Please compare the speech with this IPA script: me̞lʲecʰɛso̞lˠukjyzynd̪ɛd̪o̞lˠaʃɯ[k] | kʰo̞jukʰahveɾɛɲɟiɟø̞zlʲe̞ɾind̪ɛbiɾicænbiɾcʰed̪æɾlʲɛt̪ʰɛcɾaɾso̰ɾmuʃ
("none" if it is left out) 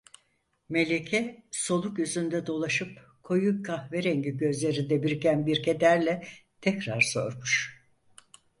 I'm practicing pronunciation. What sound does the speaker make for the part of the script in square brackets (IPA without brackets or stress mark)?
p